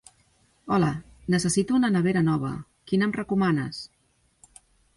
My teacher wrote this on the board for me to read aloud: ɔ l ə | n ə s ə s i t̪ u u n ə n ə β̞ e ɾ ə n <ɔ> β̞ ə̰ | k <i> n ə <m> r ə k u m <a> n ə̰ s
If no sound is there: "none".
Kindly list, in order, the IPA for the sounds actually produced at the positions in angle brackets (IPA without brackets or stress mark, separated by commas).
ɔ, i, m, a